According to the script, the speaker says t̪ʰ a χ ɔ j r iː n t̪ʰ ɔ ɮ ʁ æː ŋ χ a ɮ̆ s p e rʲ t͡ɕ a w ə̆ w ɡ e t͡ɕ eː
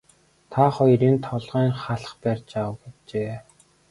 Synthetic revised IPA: t̪ʰ a χ ɔ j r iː n t̪ʰ ɔ ɮ ʁ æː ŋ χ a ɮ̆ χ p æ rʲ t͡ɕ a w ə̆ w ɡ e t͡ɕ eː